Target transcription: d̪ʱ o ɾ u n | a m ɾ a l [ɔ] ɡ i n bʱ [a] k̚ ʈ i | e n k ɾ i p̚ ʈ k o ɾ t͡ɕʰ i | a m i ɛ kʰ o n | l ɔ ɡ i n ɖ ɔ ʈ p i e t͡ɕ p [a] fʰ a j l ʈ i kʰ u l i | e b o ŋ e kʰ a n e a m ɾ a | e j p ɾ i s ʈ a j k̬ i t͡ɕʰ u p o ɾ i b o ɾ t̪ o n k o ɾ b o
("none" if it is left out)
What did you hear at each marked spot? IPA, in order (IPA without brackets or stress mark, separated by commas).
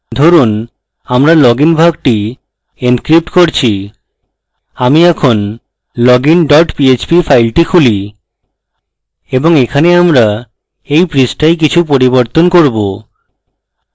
ɔ, a, i